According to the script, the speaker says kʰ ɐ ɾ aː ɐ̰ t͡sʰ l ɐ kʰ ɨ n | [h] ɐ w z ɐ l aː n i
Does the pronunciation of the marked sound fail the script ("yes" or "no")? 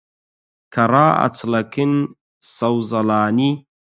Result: yes